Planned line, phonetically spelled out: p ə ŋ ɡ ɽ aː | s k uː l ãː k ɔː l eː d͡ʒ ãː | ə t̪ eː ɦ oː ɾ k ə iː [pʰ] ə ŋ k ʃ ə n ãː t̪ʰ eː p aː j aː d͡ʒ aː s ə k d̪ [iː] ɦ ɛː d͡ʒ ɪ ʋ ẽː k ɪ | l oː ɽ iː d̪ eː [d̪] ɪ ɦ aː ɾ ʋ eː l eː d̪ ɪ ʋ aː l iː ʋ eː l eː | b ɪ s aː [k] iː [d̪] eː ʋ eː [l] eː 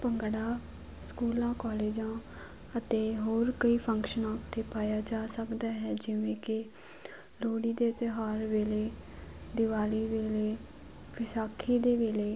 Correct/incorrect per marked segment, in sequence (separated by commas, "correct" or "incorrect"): correct, incorrect, incorrect, incorrect, correct, correct